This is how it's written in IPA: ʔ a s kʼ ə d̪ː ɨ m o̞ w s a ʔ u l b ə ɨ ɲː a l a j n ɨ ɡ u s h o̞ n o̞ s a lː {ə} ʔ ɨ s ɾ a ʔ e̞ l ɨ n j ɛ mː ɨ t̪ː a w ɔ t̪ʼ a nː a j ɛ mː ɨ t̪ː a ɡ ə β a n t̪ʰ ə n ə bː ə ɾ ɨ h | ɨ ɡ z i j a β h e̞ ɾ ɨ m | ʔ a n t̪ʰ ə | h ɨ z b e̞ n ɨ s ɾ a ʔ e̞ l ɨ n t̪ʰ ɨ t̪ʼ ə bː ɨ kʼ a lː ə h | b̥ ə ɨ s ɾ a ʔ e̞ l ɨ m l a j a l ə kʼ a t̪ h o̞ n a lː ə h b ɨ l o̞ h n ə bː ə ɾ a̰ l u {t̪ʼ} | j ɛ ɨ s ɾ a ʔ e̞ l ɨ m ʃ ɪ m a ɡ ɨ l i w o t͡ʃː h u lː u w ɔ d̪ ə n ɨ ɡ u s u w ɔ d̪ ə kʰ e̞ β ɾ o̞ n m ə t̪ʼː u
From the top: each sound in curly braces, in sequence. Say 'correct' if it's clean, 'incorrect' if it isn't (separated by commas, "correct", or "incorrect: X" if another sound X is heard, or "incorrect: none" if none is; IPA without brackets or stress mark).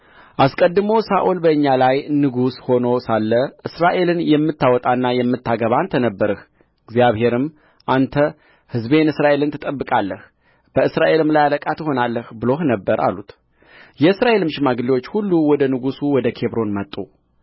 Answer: correct, incorrect: t̪